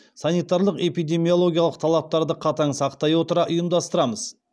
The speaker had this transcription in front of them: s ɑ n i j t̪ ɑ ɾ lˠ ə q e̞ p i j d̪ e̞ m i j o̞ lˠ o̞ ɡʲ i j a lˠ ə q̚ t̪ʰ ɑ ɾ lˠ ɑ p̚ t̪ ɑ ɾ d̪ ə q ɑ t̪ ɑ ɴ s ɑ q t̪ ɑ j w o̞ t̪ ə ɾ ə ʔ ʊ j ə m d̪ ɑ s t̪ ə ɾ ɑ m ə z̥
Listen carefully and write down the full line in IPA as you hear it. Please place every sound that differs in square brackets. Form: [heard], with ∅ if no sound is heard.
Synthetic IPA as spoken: s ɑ n i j t̪ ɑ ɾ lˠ ə q e̞ p i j d̪ e̞ m i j o̞ lˠ o̞ ɡʲ i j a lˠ ə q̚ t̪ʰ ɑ [∅] lˠ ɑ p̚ t̪ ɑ ɾ d̪ ə [qʰ] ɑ t̪ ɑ ɴ s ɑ q t̪ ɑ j w o̞ t̪ ə ɾ [ɑ] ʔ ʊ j ə m d̪ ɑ s t̪ ə ɾ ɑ m ə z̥